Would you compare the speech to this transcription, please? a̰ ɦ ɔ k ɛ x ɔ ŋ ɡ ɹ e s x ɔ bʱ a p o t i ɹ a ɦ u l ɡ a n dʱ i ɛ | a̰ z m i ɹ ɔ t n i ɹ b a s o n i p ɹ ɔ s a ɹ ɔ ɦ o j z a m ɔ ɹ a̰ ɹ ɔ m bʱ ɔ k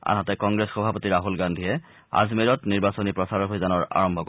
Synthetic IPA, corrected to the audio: a̰ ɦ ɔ t ɛ k ɔ ŋ ɡ ɹ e s x ɔ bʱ a p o t i ɹ a ɦ u l ɡ a n dʱ i ɛ | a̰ z m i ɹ ɔ t n i ɹ b a s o n i p ɹ ɔ s a ɹ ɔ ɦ o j z a n ɔ ɹ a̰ ɹ ɔ m bʱ ɔ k

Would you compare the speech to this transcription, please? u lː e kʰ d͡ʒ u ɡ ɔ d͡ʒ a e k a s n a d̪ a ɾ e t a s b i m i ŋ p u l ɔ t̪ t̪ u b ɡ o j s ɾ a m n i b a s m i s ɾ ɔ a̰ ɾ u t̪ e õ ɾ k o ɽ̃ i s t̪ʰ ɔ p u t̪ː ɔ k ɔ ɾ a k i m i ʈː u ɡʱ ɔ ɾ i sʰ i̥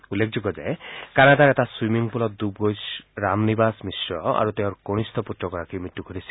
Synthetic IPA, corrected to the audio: u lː e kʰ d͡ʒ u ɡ ɔ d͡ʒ a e k a n a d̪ a ɾ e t a s w i m i ŋ p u l ɔ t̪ d̪ u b ɡ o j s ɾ a m n i b a s m i s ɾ ɔ a̰ ɾ u t̪ e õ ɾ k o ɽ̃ i s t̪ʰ ɔ p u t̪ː ɔ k ɔ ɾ a k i m i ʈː u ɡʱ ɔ ɾ i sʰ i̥

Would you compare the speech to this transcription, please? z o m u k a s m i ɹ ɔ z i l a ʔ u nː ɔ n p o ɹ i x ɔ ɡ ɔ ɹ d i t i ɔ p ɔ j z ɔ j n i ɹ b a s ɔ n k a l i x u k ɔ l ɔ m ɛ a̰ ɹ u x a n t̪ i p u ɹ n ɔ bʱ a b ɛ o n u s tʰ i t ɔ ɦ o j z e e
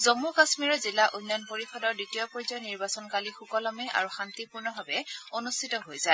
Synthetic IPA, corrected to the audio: z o m u k a s m i ɹ ɔ z i l a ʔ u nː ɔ n p o ɹ i x ɔ d ɔ ɹ d i t i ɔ p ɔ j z ɔ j n i ɹ b a s ɔ n k a l i x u k ɔ l ɔ m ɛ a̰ ɹ u x a n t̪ i p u ɹ n ɔ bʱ a b ɛ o n u s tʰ i t ɔ ɦ o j z a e

